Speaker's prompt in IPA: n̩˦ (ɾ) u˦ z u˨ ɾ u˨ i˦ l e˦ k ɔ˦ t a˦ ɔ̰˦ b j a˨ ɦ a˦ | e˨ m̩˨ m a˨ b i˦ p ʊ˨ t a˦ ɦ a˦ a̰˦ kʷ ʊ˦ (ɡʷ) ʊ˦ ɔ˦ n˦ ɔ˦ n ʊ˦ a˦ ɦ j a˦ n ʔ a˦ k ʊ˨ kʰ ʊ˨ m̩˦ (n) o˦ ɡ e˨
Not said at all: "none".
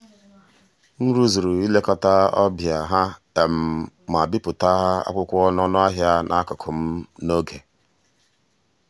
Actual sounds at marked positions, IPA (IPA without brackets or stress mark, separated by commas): ɾ, kʷ, n